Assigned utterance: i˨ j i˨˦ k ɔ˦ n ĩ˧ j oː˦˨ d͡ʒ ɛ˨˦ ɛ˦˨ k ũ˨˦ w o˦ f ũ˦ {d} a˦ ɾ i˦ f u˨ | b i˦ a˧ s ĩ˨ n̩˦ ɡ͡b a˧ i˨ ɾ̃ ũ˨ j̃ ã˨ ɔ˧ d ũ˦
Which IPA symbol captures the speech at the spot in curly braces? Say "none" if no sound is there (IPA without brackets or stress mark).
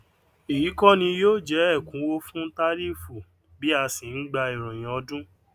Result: t